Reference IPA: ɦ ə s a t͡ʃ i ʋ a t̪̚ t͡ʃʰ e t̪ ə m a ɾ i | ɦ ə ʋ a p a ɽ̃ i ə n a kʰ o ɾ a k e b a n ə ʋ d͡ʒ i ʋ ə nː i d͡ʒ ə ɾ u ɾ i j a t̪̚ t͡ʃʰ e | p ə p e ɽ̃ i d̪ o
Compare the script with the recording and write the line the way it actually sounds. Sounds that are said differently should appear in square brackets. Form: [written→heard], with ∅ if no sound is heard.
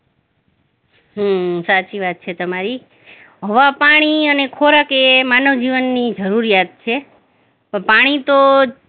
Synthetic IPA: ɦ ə s a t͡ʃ i ʋ a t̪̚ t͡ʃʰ e t̪ ə m a ɾ i | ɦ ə ʋ a p a ɽ̃ i ə n [a→e] kʰ o ɾ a k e [b→m] a n ə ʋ d͡ʒ i ʋ ə nː i d͡ʒ ə ɾ u ɾ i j a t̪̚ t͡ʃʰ e | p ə p [e→a] ɽ̃ i [d̪→t̪] o